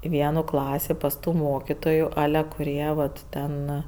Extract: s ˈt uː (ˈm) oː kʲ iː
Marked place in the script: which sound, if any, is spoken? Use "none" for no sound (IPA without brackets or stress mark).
m